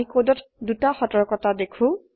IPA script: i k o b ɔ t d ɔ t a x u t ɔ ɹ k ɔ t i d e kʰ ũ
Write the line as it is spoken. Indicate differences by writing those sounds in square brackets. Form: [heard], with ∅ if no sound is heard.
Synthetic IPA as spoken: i k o [d] ɔ t d [u] t a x [ɔ] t ɔ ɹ k ɔ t [a] d e kʰ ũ

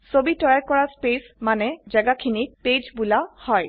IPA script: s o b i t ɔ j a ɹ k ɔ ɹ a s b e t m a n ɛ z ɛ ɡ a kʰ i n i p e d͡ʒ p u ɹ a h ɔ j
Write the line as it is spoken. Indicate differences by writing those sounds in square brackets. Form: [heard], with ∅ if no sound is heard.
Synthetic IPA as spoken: s o b i t ɔ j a ɹ k ɔ ɹ a s [p] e [s] m a n ɛ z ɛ ɡ a kʰ i n i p e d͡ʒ [b] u [l] a h ɔ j

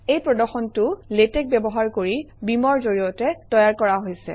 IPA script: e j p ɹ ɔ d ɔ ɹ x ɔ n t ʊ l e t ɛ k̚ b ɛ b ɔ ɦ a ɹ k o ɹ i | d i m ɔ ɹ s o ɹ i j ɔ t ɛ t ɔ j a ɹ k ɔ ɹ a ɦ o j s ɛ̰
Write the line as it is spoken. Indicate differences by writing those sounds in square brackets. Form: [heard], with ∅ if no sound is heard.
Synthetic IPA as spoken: e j p ɹ ɔ d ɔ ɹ x ɔ n t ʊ l e t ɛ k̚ b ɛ b ɔ ɦ a ɹ k o ɹ i | [b] i m ɔ ɹ [z] o ɹ i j ɔ t ɛ t ɔ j a ɹ k ɔ ɹ a ɦ o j s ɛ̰

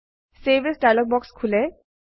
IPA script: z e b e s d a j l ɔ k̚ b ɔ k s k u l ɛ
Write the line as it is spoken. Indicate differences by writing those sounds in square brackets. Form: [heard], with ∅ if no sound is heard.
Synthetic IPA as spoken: [s] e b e s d a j l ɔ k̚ b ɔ k s [kʰ] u l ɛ

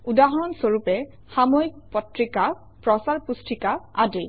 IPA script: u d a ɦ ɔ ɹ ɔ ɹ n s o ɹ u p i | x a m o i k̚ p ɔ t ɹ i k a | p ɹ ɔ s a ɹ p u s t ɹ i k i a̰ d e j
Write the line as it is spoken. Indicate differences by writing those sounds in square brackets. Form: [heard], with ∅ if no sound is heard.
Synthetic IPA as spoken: u d a ɦ ɔ ɹ ɔ [∅] n s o ɹ u p [ɛ] | x a m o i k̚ p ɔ t ɹ i k a | p ɹ ɔ s a ɹ p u s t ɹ i k [a] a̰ d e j

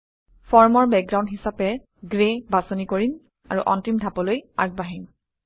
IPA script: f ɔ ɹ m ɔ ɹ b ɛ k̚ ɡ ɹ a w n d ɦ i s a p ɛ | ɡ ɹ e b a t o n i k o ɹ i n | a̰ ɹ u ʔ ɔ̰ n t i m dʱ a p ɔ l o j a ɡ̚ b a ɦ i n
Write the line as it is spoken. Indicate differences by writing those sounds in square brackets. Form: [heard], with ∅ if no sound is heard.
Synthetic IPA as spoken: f ɔ ɹ m ɔ ɹ b ɛ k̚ ɡ ɹ a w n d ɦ i s a p ɛ | ɡ ɹ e b a [s] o n i k o ɹ i n | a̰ ɹ u ʔ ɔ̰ n t i m dʱ a p ɔ l o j a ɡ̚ b a ɦ i n

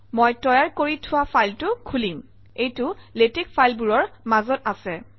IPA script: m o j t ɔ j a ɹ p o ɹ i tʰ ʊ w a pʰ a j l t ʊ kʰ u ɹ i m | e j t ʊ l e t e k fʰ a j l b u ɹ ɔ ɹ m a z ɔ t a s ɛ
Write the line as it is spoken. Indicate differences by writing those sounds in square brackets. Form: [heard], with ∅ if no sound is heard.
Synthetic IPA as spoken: m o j t ɔ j a ɹ [k] o ɹ i tʰ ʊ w a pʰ a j l t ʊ kʰ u [l] i m | e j t ʊ l e t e k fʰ a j l b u ɹ ɔ ɹ m a z ɔ t a s ɛ

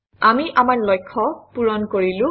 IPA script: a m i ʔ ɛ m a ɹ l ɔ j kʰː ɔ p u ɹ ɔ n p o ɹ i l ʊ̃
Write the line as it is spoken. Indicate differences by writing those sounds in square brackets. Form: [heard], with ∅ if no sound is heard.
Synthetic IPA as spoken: a m i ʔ [a] m a ɹ l ɔ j kʰː ɔ p u ɹ ɔ n [k] o ɹ i l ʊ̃

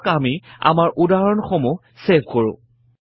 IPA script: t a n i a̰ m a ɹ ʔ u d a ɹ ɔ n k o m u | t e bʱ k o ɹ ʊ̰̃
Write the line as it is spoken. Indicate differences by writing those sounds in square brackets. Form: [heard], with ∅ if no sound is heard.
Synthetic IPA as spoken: [k] a [m] i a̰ m a ɹ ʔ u d a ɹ ɔ n [x] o m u | [s] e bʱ k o ɹ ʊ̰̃

